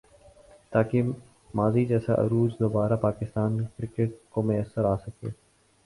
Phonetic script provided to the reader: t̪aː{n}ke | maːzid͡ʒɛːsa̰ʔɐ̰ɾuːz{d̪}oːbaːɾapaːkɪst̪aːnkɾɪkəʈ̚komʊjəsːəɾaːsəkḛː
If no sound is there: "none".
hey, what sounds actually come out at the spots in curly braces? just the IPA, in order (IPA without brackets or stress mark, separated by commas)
none, d̪